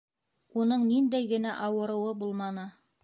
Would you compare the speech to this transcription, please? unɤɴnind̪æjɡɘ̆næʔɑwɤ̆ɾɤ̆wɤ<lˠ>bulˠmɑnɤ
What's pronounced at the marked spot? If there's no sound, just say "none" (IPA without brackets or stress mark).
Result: none